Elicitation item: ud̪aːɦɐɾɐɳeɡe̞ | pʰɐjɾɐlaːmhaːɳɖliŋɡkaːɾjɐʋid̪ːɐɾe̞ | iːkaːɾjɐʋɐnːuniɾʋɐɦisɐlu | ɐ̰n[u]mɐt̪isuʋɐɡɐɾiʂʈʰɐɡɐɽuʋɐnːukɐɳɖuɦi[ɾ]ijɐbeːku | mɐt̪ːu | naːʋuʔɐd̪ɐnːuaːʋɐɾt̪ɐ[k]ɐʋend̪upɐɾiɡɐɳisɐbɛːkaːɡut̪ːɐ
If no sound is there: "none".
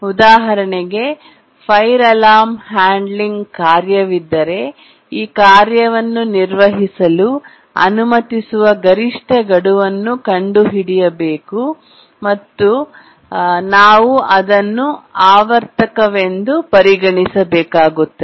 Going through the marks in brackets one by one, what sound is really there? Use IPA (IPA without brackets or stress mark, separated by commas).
u, ɽ, k